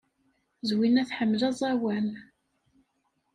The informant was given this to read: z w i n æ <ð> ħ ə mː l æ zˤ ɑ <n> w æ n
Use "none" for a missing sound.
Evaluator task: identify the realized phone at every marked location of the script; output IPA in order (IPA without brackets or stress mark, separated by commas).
θ, none